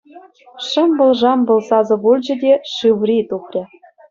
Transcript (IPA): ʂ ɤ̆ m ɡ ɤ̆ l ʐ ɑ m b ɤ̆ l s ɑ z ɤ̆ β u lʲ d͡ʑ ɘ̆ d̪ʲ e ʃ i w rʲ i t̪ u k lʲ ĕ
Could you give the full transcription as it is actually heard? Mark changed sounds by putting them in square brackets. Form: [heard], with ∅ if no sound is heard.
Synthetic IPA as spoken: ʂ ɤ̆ m [b] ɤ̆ l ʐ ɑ m b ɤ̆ l s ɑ z ɤ̆ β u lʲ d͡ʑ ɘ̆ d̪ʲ e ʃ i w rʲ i t̪ u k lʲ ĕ